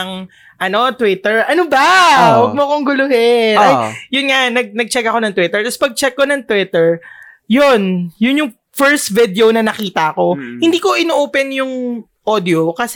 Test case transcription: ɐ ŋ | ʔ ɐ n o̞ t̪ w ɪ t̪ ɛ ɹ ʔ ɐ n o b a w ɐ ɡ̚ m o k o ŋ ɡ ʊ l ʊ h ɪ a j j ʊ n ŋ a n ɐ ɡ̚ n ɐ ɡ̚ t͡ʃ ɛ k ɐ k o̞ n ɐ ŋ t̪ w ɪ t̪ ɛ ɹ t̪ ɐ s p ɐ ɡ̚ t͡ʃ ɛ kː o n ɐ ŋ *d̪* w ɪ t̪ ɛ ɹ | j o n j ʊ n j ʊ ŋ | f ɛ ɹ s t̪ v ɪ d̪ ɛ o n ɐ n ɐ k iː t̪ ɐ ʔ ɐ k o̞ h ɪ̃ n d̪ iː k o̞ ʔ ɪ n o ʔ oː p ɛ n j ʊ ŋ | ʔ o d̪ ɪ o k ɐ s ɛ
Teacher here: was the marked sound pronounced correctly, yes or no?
no